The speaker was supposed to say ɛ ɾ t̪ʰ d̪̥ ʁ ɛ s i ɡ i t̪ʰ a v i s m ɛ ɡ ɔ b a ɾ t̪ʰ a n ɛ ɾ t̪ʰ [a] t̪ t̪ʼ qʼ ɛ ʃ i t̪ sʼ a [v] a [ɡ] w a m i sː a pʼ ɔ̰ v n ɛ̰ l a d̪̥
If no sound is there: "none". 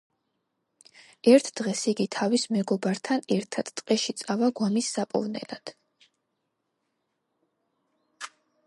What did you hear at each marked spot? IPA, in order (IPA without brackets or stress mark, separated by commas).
a, v, ɡ